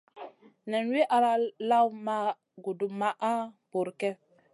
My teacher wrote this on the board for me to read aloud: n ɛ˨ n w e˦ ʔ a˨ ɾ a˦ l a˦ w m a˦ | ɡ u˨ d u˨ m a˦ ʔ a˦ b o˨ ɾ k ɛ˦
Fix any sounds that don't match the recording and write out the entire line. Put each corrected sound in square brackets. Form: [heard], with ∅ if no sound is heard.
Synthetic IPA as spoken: n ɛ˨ n w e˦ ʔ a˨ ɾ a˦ l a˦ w m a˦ | ɡ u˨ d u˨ m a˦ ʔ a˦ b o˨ ɾ k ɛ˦